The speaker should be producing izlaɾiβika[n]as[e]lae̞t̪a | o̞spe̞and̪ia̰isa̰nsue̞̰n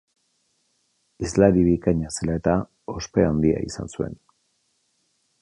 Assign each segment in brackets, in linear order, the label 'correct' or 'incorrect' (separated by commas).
incorrect, correct